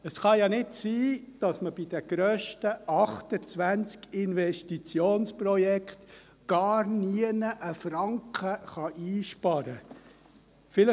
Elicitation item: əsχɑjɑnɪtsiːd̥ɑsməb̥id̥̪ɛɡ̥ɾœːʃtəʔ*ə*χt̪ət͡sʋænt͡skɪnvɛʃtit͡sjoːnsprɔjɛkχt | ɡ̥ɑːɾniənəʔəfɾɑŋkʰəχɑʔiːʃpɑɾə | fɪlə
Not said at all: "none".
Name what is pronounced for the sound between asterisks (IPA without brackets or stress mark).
ɑ